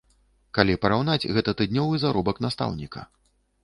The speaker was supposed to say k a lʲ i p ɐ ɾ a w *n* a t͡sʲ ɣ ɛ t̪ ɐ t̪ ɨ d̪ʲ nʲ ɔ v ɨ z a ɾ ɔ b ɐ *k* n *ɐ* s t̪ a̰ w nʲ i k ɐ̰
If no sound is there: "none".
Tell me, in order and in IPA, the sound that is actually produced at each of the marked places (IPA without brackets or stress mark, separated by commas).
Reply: n, k, a